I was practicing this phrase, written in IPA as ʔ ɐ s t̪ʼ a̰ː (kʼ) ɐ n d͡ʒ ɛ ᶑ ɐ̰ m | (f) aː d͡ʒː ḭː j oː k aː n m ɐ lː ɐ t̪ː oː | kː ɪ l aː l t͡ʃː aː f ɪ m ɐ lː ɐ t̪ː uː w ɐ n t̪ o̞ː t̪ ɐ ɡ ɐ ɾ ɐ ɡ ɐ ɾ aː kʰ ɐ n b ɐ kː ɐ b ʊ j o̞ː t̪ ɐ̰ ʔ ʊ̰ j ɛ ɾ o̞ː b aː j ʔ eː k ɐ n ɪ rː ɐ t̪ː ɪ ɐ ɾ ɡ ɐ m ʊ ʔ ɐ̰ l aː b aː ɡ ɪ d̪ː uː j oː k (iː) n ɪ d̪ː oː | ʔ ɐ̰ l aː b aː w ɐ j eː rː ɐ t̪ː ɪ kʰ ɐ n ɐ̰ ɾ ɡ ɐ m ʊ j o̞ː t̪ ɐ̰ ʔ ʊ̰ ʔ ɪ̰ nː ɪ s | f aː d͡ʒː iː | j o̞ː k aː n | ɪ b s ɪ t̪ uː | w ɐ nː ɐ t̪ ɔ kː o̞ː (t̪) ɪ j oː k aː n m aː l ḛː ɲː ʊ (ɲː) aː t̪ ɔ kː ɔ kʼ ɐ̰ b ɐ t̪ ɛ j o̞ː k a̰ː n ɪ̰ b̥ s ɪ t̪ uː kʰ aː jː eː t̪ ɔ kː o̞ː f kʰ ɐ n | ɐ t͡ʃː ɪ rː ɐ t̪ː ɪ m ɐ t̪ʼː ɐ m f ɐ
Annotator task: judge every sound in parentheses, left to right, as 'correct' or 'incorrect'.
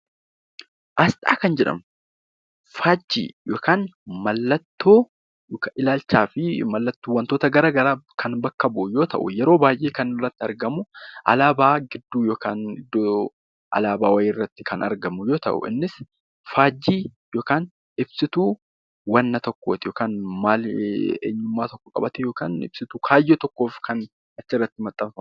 incorrect, correct, incorrect, correct, incorrect

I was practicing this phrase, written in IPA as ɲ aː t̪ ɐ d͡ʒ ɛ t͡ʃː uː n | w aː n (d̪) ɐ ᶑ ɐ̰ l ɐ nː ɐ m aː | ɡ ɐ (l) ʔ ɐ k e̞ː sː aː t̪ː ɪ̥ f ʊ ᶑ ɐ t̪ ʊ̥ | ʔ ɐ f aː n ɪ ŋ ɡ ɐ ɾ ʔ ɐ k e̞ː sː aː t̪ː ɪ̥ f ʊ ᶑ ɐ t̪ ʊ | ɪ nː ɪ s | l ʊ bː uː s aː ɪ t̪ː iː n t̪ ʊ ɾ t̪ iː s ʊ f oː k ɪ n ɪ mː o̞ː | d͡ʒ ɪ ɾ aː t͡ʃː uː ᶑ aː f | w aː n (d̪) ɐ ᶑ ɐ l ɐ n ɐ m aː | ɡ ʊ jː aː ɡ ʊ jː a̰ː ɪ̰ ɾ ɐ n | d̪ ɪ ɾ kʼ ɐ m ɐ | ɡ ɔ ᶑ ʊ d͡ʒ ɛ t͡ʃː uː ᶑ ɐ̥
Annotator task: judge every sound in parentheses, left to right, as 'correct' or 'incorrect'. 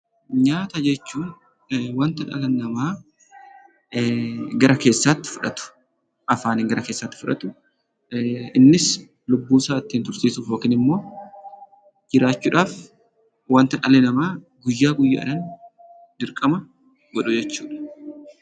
incorrect, incorrect, incorrect

